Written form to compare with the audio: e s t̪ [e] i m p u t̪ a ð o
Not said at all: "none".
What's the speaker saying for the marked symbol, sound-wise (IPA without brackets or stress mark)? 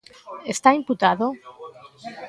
a